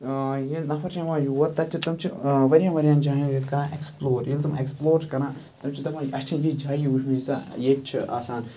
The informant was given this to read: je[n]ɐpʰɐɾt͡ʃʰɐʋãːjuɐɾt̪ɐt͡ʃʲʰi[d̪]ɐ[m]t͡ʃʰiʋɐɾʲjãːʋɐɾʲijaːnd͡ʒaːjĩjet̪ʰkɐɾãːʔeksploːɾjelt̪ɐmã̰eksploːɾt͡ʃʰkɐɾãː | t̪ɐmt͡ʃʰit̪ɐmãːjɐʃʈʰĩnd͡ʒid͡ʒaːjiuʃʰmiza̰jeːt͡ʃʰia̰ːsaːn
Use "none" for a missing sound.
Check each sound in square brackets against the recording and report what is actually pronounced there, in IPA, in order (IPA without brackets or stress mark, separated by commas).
n, t̪, m